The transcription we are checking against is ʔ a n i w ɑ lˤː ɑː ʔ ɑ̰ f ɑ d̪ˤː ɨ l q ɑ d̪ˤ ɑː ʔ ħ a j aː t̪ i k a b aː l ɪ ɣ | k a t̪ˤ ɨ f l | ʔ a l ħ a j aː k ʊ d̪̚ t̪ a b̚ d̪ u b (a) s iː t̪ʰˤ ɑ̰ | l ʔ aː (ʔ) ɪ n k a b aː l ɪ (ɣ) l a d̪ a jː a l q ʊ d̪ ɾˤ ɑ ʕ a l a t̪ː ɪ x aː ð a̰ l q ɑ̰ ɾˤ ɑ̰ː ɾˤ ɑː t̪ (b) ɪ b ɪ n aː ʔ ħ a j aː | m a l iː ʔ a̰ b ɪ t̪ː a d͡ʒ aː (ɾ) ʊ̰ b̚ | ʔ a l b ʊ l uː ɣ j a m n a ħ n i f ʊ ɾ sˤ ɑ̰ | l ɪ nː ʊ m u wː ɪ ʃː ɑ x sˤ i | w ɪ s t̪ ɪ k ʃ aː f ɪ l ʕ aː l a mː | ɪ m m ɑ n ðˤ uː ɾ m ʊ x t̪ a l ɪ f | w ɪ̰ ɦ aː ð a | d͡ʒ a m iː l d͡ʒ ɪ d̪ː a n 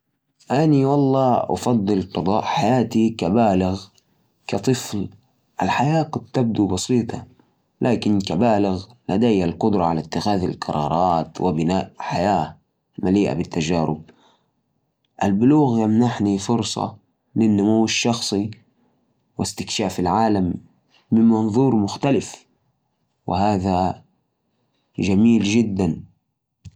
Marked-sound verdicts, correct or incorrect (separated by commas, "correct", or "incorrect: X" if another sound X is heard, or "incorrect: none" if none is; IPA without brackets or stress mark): incorrect: ɑ, incorrect: k, correct, incorrect: w, correct